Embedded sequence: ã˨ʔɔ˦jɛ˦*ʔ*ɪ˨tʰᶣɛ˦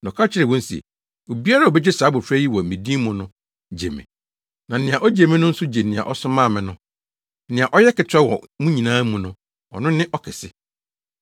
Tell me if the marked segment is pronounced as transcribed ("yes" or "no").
no